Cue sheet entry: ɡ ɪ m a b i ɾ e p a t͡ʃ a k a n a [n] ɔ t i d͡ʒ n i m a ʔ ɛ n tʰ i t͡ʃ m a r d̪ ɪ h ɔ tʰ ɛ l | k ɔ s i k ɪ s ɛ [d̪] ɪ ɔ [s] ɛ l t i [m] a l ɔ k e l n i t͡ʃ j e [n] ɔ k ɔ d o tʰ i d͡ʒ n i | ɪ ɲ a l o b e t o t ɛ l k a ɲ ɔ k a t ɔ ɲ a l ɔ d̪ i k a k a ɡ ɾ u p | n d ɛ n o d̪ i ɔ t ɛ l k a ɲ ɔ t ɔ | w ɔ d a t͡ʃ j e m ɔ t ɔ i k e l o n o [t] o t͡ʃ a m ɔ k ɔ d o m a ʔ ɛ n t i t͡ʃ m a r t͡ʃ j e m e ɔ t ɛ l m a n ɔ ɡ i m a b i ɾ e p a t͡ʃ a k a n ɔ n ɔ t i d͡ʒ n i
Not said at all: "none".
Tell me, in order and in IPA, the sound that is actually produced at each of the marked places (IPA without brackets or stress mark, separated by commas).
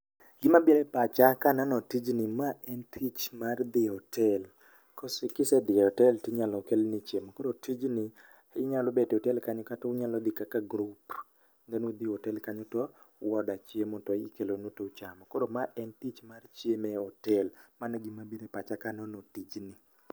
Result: n, d̪, t, ɲ, m, t